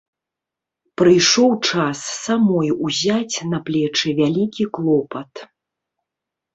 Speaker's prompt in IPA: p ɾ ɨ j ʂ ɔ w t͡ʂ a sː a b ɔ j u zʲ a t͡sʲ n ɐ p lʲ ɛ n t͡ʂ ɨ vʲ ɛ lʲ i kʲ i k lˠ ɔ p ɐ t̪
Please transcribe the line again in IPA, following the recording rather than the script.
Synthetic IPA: p ɾ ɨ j ʂ ɔ w t͡ʂ a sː a m ɔ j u zʲ a t͡sʲ n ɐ p lʲ ɛ t͡ʂ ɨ vʲ a lʲ i kʲ i k lˠ ɔ p ɐ t̪